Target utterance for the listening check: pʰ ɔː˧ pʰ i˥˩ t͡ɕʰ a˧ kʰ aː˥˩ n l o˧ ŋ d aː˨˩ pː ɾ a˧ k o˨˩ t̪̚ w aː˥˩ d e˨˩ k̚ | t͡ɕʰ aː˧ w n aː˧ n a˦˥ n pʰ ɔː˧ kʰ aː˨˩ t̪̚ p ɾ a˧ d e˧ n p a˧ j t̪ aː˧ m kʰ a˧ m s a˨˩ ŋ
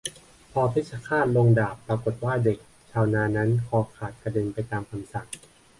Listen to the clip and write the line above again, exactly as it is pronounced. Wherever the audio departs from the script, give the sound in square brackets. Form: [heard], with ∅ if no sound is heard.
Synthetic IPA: pʰ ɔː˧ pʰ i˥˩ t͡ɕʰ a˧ kʰ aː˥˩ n l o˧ ŋ d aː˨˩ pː ɾ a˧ k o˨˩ t̪̚ w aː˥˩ d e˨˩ k̚ | t͡ɕʰ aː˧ w n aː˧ n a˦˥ n [kʰ] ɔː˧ kʰ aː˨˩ t̪̚ p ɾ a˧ d e˧ n p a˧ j t̪ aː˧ m kʰ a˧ m s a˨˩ ŋ